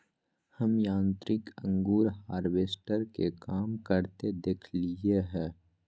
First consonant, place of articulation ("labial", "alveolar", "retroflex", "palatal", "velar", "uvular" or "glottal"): glottal